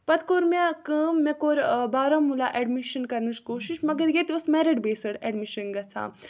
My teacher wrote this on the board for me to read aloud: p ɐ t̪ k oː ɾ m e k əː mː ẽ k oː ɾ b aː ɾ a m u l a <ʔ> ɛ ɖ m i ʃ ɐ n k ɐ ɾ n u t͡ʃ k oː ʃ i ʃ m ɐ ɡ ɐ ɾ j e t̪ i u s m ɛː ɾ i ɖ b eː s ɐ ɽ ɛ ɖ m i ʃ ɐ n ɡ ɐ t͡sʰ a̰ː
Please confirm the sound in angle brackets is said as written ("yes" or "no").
yes